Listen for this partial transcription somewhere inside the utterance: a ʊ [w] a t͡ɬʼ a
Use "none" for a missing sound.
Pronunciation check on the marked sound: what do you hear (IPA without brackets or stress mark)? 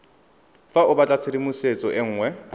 b